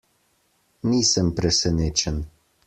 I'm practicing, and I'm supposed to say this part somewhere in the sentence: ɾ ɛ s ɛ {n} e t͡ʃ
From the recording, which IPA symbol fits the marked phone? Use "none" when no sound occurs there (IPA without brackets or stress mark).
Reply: n